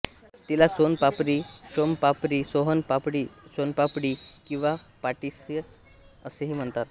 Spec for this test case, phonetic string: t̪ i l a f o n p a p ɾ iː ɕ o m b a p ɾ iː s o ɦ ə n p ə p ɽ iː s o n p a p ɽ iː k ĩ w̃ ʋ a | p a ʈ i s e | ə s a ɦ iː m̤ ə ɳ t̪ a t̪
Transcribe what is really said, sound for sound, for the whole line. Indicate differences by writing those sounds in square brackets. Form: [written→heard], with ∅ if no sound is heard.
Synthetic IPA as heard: t̪ i l a [f→s] o n p a p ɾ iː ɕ o m [b→p] a p ɾ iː s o ɦ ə n p [ə→a] p ɽ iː s o n p a p ɽ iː k ĩ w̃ ʋ a | p a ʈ i s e | ə s [a→e] ɦ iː m̤ ə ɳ t̪ a t̪

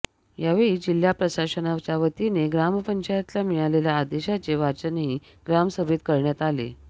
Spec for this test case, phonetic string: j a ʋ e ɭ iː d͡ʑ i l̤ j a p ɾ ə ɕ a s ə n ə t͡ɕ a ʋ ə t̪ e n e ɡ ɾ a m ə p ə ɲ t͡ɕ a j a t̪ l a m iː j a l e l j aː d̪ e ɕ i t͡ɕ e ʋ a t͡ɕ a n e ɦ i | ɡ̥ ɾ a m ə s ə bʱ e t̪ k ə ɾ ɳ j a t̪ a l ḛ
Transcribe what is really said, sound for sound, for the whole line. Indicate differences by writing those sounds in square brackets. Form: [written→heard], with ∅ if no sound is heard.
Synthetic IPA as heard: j a ʋ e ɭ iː d͡ʑ i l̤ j a p ɾ ə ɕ a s ə n [ə→a] t͡ɕ a ʋ ə t̪ [e→i] n e ɡ ɾ a m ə p ə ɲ t͡ɕ a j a t̪ l a m [iː→i] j a l e l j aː d̪ e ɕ [i→a] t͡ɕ e ʋ a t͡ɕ [a→ə] n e ɦ i | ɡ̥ ɾ a m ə s ə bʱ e t̪ k ə ɾ ɳ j a t̪ a l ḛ

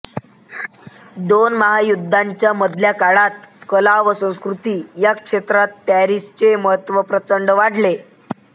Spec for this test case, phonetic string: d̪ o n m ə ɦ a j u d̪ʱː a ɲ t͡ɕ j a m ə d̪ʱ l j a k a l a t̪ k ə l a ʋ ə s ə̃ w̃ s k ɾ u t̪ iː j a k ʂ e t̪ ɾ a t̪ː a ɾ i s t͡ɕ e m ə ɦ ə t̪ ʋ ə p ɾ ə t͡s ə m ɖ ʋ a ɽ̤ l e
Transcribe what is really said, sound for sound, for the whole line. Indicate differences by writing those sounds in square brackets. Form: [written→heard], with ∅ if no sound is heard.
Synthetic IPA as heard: d̪ o n m ə ɦ a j u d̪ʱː a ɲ t͡ɕ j a m ə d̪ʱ l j a k a [l→ɭ] a t̪ k ə l a ʋ ə s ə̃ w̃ s k ɾ u t̪ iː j a k ʂ e t̪ ɾ a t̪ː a ɾ i s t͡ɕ e m ə ɦ ə t̪ ʋ ə p ɾ ə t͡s ə [m→ɳ] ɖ ʋ a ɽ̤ l e

